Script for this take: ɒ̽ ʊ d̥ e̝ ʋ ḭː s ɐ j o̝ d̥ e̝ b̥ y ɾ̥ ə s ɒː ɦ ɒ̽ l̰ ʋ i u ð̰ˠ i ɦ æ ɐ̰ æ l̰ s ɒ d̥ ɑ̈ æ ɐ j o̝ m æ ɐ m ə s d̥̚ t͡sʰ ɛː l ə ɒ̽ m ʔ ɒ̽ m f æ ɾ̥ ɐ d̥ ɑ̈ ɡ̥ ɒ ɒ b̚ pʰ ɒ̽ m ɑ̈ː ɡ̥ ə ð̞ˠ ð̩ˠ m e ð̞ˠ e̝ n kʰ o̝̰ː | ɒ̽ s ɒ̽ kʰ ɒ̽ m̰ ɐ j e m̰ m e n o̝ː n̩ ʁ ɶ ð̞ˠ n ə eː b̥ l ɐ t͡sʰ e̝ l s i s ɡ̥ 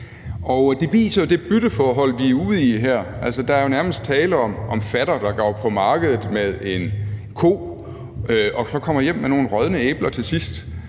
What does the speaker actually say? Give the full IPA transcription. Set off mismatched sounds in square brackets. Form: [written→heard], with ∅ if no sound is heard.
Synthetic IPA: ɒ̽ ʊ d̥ e̝ ʋ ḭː s ɐ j o̝ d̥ e̝ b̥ y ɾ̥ ə [s→f] ɒː ɦ ɒ̽ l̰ ʋ i u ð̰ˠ i ɦ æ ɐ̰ æ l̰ s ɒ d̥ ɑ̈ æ ɐ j o̝ [m→n] æ ɐ m ə s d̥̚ t͡sʰ ɛː l ə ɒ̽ m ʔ ɒ̽ m f æ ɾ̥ ɐ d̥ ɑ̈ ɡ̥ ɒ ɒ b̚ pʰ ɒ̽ m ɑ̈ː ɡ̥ ə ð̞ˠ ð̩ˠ m e ð̞ˠ e̝ n kʰ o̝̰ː | ɒ̽ s ɒ̽ kʰ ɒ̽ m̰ ɐ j e m̰ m e n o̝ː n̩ ʁ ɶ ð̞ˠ n ə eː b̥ l ɐ t͡sʰ e̝ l s i s [ɡ̥→d̥]